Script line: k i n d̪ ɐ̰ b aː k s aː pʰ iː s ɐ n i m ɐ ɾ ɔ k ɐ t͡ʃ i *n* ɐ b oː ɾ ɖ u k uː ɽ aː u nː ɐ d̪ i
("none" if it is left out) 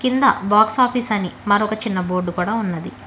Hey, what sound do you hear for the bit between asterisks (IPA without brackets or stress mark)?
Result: nː